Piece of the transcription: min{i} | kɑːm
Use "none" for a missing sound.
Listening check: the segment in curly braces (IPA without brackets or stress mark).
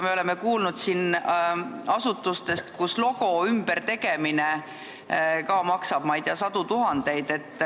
e